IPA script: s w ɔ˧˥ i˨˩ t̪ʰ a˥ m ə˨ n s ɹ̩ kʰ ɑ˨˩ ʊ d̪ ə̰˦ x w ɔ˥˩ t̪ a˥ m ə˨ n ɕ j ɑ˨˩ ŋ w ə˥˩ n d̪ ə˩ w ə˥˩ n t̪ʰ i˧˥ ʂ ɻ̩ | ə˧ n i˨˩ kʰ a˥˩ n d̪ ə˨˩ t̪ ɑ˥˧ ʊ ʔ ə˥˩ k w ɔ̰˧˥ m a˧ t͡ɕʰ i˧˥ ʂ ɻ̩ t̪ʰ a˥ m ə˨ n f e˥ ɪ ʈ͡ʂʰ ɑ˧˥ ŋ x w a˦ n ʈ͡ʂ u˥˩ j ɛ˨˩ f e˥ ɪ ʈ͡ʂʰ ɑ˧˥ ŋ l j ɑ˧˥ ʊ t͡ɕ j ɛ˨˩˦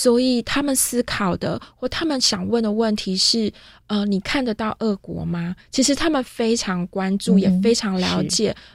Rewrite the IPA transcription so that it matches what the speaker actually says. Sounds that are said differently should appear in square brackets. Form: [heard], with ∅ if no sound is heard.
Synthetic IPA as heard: s w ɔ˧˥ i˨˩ t̪ʰ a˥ m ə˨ n s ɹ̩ kʰ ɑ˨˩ ʊ d̪ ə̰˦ x w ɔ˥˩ [t̪ʰ] a˥ m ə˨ n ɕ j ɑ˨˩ ŋ w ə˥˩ n d̪ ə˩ w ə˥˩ n t̪ʰ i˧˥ ʂ ɻ̩ | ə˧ n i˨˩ kʰ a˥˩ n d̪ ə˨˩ t̪ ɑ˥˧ ʊ ʔ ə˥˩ k w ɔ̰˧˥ m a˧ t͡ɕʰ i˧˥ ʂ ɻ̩ t̪ʰ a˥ m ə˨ n f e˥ ɪ ʈ͡ʂʰ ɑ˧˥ ŋ [k] w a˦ n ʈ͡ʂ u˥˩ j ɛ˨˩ f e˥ ɪ ʈ͡ʂʰ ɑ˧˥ ŋ l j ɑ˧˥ ʊ t͡ɕ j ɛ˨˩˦